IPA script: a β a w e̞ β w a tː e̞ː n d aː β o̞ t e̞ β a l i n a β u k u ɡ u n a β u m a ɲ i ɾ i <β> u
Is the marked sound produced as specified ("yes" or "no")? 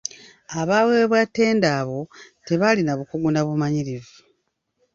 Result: no